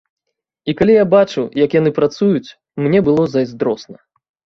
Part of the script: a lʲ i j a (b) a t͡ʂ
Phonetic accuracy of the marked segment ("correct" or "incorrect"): correct